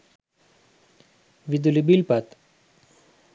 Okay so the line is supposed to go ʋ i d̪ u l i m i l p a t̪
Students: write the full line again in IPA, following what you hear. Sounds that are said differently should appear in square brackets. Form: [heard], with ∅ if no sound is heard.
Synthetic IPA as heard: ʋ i d̪ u l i [b] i l p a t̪

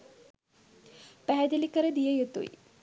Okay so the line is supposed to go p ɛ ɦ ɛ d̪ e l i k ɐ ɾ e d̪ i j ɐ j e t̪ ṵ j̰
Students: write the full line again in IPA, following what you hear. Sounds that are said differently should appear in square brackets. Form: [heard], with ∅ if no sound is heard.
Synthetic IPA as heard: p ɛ ɦ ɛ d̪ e l i k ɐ ɾ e d̪ i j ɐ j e t̪ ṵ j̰

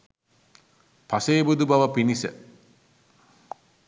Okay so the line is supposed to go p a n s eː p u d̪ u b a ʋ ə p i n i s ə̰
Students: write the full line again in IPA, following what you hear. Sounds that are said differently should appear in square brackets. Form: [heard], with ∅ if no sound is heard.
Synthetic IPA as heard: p a [∅] s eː [b] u d̪ u b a ʋ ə p i n i s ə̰

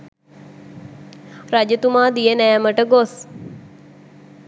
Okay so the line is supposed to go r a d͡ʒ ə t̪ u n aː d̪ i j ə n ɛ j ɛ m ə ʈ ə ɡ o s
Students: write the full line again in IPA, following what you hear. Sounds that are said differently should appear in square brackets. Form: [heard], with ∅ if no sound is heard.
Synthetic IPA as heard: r a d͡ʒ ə t̪ u [m] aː d̪ i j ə n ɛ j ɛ m ə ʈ ə ɡ o s

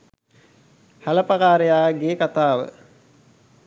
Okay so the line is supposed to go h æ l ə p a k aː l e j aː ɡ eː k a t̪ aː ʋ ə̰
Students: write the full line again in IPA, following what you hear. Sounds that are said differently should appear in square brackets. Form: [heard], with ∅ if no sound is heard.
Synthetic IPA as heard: h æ l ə p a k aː [ɾ] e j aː ɡ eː k a t̪ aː ʋ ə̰

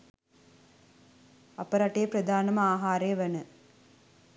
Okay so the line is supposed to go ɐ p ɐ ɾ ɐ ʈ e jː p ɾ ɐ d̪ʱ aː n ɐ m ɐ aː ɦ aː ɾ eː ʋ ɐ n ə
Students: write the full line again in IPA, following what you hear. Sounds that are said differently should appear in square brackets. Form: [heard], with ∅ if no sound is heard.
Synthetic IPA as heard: ɐ p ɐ ɾ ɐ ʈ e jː p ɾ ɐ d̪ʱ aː n ɐ m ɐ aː ɦ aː ɾ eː ʋ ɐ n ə

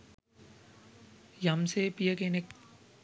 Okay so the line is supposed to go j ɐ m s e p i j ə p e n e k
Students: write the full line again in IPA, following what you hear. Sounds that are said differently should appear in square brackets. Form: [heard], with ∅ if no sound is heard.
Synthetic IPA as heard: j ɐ m s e p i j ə [k] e n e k

